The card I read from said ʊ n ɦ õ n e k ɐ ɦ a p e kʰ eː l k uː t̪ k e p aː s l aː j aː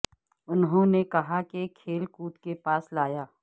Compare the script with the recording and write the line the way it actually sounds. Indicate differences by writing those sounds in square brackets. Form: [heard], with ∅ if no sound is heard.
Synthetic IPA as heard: ʊ n ɦ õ n e k ɐ ɦ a [k] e kʰ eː l k uː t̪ k e p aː s l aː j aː